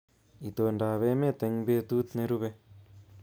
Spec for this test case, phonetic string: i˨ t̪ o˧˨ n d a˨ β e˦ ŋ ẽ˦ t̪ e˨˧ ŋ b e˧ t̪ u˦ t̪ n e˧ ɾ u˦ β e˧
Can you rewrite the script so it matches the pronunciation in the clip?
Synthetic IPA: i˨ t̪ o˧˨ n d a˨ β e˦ m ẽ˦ t̪ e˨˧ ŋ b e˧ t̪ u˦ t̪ n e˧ ɾ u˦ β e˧